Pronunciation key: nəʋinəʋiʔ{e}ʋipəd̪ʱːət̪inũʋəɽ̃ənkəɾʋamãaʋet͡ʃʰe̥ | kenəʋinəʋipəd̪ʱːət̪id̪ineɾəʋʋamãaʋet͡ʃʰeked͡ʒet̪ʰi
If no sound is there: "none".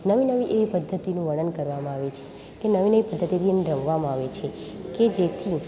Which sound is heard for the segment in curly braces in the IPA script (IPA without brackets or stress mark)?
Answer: e